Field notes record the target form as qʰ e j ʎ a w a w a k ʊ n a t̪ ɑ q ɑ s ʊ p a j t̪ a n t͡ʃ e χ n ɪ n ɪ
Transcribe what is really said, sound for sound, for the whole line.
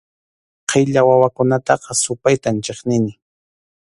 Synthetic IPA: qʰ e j ʎ a w a w a k ʊ n a t̪ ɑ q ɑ s ʊ p a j t̪ a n t͡ʃ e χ n ɪ n ɪ